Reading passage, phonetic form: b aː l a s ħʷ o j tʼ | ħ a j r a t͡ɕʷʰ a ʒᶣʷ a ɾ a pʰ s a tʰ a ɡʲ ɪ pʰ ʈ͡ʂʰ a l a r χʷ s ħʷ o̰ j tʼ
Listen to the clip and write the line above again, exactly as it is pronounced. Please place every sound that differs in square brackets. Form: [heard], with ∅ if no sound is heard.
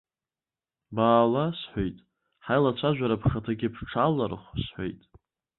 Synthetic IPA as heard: b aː l a s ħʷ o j tʼ | ħ a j [l] a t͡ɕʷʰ a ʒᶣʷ a ɾ a pʰ [χ] a tʰ a ɡʲ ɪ pʰ ʈ͡ʂʰ a l a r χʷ s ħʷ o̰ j tʼ